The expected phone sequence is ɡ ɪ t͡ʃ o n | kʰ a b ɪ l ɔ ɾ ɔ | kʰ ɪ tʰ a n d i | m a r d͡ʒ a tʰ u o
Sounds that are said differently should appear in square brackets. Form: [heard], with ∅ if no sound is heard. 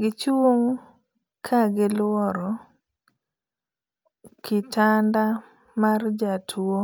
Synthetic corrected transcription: ɡ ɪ t͡ʃ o [ŋ] | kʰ a [ɡ] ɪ l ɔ ɾ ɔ | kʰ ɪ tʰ a n d [a] | m a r d͡ʒ a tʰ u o